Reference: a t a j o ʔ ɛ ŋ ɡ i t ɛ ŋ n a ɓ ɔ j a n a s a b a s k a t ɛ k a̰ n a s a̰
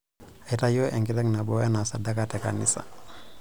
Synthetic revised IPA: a t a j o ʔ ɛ ŋ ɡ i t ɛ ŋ n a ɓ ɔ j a n a s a d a k a t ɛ k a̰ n i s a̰